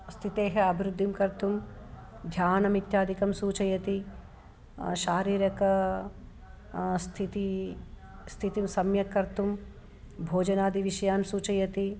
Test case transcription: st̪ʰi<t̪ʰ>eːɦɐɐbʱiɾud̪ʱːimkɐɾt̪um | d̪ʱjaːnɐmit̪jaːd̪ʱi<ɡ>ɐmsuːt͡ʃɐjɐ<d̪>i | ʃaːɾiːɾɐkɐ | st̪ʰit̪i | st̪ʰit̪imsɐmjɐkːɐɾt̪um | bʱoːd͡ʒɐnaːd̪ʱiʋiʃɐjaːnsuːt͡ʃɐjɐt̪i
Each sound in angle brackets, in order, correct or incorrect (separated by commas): incorrect, incorrect, incorrect